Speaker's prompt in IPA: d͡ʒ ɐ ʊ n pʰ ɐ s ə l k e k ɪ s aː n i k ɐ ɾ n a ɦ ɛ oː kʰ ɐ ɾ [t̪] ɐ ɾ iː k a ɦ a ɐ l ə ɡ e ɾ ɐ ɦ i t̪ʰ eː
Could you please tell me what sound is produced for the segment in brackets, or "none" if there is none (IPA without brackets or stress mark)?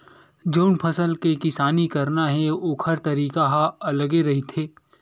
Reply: t̪